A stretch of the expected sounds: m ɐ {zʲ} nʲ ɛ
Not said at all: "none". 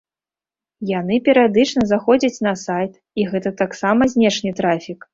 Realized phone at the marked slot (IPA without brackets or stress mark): zʲ